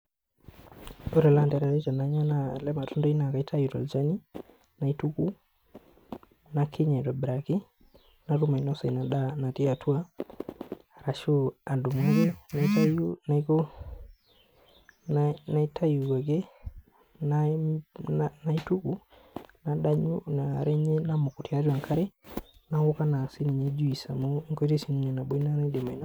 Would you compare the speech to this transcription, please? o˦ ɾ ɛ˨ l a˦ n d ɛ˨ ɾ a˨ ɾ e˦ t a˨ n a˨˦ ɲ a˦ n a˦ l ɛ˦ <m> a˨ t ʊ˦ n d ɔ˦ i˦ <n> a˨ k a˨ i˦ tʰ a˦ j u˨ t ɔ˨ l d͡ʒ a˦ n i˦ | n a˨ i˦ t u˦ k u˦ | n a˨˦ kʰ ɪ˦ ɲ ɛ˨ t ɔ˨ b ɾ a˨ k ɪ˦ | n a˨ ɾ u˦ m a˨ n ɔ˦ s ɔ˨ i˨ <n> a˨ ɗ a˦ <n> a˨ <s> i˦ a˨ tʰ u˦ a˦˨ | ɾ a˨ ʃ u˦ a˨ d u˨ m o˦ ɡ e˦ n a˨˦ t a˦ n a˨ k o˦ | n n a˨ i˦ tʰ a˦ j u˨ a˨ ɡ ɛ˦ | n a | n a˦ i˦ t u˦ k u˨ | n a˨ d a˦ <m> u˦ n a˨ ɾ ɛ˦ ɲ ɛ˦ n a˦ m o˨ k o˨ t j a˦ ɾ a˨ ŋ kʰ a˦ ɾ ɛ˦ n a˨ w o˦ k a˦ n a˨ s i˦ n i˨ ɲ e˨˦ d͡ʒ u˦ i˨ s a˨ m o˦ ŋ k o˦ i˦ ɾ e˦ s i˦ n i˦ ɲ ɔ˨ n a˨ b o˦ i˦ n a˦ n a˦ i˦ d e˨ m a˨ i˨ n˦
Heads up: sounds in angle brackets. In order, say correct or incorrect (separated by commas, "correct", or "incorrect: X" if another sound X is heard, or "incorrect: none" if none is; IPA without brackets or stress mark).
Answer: correct, correct, correct, correct, incorrect: t, incorrect: ɲ